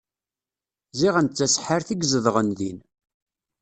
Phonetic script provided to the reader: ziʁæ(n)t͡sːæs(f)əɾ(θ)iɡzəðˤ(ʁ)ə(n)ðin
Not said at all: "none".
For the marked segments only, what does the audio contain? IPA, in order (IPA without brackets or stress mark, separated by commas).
n, ħ, θ, ʁ, n